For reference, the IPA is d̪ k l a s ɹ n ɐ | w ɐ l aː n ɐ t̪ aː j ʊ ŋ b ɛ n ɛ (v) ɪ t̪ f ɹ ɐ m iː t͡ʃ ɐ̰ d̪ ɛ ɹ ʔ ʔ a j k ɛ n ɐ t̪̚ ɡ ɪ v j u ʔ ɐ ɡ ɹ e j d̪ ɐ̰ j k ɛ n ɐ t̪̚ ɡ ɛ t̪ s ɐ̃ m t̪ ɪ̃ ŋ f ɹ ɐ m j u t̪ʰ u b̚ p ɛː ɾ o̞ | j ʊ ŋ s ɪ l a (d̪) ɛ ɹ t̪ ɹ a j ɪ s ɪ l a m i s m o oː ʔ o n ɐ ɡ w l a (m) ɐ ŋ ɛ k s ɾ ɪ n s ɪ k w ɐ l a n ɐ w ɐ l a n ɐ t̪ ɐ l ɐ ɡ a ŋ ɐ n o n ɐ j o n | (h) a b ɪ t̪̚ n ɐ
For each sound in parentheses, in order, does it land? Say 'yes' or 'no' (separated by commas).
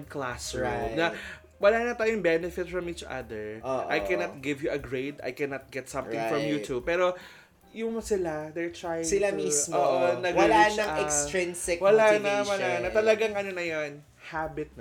no, yes, no, yes